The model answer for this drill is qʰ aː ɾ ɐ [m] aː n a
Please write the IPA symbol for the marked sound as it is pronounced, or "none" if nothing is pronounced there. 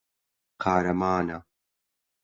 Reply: m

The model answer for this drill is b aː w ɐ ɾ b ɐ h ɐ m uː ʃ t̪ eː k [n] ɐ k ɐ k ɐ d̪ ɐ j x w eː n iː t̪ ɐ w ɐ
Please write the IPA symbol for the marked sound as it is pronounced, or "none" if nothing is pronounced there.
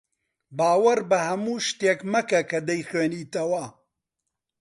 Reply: m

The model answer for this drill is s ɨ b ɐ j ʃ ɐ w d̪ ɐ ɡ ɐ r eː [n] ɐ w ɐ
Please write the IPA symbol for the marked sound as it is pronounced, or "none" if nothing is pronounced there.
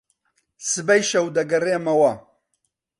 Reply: m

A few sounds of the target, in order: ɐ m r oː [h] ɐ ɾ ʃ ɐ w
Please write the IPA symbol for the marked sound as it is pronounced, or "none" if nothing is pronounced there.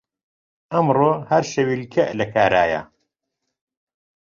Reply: h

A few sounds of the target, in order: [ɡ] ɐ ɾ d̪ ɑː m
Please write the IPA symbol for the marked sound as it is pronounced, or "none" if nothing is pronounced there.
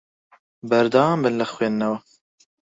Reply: b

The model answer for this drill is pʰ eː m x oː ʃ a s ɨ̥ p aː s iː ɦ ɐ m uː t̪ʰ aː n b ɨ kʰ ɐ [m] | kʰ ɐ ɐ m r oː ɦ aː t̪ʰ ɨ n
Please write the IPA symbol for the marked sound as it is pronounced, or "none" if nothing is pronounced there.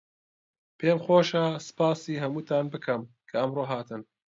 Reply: m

